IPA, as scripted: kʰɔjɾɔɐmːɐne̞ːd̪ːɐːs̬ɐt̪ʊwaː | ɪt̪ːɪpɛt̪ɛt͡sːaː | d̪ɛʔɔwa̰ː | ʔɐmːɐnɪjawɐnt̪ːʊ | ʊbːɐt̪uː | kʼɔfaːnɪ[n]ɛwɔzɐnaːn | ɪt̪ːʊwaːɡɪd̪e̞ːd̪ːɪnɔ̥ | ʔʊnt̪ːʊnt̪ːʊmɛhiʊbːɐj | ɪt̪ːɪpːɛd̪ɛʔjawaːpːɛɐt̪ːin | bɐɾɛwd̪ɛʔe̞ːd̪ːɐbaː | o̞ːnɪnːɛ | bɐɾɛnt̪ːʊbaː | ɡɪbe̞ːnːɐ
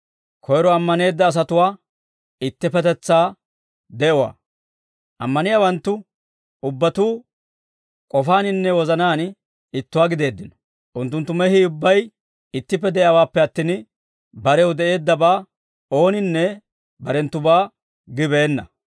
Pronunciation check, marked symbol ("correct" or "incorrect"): incorrect